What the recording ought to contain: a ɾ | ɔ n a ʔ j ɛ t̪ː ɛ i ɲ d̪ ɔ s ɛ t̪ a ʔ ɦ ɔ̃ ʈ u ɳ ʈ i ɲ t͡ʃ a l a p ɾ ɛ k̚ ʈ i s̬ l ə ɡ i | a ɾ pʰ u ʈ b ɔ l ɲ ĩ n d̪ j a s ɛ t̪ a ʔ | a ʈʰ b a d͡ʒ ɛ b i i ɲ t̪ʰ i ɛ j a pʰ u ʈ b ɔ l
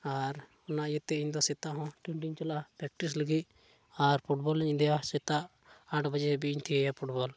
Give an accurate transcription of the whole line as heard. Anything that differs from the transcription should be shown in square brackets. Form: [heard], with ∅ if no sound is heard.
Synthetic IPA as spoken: a ɾ | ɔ n a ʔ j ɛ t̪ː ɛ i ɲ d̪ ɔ s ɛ t̪ a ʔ ɦ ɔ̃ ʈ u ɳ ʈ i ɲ t͡ʃ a l a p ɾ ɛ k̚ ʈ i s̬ l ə ɡ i | a ɾ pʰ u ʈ b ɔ l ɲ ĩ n d̪ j a s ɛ t̪ a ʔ | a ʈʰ b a d͡ʒ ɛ b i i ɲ t̪ʰ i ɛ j a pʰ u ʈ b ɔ l

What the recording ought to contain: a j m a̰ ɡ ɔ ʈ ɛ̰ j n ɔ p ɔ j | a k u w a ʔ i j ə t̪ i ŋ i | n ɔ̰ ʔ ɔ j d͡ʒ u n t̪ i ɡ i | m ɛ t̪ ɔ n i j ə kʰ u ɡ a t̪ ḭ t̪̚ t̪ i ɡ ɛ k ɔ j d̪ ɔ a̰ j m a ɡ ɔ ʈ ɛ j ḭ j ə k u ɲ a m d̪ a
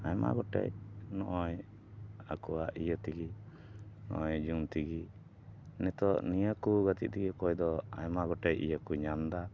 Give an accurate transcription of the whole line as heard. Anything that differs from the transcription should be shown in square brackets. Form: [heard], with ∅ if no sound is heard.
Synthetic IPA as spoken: a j m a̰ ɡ ɔ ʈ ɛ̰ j n ɔ [ʔ] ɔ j | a k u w a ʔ i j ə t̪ i [ɡ] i | n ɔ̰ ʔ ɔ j d͡ʒ u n t̪ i ɡ i | [n] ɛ t̪ ɔ n i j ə [k] u ɡ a t̪ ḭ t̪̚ t̪ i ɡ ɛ k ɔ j d̪ ɔ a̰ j m a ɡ ɔ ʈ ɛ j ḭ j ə k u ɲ a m d̪ a

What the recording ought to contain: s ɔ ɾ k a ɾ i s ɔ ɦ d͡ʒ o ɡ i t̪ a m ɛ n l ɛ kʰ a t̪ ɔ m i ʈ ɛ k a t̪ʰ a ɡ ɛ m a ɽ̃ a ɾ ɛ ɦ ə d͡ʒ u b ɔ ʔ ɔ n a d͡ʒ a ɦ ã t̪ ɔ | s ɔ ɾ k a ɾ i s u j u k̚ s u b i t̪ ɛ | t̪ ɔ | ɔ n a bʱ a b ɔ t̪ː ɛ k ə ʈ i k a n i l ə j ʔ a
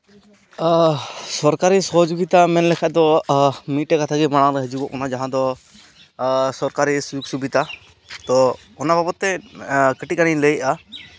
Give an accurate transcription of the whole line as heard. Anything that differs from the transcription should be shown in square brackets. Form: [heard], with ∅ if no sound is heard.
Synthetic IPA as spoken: s ɔ ɾ k a ɾ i s ɔ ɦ d͡ʒ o ɡ i t̪ a m ɛ n l ɛ kʰ a [d̪] ɔ m i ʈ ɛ k a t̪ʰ a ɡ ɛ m a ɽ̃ a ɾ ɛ ɦ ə d͡ʒ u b ɔ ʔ ɔ n a d͡ʒ a ɦ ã [d̪] ɔ | s ɔ ɾ k a ɾ i s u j u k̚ s u b i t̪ [a] | t̪ ɔ | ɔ n a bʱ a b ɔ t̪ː ɛ k ə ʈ i k a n i l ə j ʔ a

